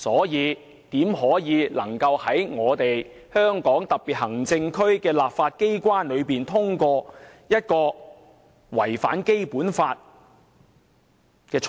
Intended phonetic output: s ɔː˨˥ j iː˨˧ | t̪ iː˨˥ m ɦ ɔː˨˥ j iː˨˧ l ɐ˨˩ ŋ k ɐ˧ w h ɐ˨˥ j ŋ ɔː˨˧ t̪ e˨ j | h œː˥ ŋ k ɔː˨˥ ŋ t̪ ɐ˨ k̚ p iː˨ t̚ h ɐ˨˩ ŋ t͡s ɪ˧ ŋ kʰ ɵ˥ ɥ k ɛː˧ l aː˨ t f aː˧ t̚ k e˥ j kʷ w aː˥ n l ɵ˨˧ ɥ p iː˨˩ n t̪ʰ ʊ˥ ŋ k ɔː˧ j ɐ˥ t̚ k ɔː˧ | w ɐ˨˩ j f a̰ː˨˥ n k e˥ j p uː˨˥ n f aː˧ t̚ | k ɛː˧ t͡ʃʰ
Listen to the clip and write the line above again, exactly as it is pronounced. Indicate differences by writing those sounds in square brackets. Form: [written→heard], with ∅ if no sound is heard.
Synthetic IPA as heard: s ɔː˨˥ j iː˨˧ | t̪ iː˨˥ m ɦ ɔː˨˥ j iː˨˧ l ɐ˨˩ ŋ k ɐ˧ w h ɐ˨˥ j ŋ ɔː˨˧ t̪ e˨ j | h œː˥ ŋ k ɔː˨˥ ŋ t̪ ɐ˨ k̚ p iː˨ t̚ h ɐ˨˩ ŋ t͡s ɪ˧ ŋ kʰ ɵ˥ ɥ k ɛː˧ l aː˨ [t→p] f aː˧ t̚ k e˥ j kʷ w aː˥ n l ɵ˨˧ ɥ p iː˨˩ n t̪ʰ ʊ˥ ŋ k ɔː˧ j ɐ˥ t̚ k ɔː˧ | w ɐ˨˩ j f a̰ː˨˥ n k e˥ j p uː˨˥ n f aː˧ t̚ | k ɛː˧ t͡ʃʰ